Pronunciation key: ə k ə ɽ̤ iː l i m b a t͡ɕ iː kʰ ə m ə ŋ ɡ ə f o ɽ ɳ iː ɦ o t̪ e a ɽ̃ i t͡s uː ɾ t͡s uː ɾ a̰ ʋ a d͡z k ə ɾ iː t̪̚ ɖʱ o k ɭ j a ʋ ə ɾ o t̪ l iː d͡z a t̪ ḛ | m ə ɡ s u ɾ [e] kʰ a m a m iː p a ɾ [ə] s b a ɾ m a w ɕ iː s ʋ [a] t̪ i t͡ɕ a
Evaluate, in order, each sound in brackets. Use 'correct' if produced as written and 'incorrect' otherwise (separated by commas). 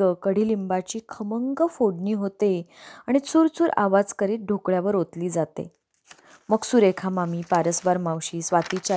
correct, correct, correct